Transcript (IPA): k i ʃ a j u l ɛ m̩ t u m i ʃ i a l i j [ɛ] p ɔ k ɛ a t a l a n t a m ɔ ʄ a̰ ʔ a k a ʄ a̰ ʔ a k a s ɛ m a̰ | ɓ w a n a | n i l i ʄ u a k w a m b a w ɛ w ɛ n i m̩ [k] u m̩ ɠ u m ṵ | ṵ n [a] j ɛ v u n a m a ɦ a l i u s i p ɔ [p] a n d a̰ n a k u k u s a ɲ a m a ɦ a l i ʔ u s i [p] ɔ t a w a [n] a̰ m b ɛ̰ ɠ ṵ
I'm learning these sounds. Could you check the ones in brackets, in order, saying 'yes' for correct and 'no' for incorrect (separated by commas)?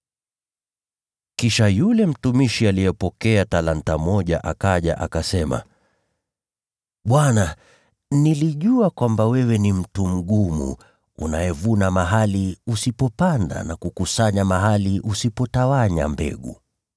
yes, no, yes, yes, yes, no